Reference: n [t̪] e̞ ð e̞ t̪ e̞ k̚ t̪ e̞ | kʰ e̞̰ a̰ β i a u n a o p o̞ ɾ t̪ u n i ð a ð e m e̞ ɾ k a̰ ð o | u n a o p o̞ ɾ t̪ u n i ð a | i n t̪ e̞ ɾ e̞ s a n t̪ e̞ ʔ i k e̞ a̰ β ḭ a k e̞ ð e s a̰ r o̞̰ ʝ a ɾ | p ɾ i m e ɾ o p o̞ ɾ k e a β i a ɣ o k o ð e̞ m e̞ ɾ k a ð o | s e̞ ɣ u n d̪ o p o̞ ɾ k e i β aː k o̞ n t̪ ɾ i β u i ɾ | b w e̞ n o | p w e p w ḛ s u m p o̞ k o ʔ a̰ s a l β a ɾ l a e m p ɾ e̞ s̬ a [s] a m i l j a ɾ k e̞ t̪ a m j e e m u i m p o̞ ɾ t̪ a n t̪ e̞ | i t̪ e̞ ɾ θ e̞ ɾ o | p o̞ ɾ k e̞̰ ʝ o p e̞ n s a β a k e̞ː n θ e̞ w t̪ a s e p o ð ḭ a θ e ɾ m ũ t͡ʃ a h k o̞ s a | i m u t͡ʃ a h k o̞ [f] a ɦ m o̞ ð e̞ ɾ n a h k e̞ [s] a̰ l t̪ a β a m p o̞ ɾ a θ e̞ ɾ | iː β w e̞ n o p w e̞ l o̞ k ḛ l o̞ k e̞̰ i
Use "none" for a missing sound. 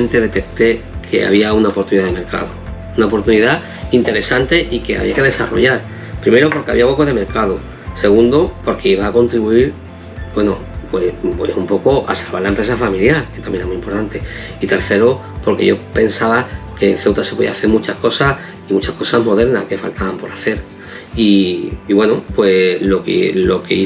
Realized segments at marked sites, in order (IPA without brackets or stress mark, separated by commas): t̪, f, s, f